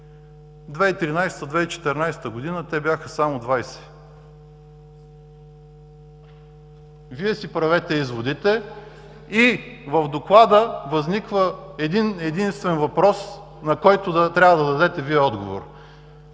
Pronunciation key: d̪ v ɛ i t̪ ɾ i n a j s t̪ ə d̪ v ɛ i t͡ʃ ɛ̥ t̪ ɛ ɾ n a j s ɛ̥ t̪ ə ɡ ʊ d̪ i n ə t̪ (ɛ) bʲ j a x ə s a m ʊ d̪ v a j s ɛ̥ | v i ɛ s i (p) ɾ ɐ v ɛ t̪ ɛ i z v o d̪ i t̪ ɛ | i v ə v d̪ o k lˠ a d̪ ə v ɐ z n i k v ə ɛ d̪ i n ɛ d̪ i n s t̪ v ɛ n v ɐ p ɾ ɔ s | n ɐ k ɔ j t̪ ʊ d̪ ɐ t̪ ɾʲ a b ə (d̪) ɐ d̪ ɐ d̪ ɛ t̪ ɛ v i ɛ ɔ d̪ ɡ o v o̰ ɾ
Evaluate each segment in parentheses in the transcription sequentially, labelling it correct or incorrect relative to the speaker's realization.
correct, correct, correct

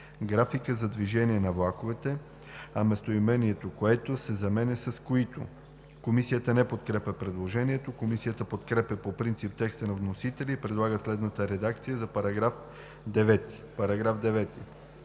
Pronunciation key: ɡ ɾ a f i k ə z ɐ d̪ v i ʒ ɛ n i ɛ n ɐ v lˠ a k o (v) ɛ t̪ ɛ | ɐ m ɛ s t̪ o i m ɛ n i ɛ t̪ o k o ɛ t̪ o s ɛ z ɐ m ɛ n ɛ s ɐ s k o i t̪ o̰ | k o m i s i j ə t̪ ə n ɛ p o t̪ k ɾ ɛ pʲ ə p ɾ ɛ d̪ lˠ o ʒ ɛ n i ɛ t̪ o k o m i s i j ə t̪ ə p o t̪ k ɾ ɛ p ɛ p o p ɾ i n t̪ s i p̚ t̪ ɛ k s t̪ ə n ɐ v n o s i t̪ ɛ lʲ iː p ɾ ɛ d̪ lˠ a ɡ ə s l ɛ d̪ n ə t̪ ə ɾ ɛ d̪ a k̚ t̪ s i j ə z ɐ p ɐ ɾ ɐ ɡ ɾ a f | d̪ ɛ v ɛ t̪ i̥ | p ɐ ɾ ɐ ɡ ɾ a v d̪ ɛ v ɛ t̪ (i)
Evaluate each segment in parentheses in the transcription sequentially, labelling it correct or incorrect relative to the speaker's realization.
correct, correct

